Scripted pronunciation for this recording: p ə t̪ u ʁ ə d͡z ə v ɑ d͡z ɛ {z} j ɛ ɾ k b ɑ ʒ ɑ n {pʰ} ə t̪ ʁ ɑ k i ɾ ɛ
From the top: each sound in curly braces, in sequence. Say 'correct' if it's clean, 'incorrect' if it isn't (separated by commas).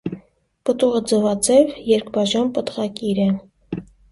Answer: incorrect, incorrect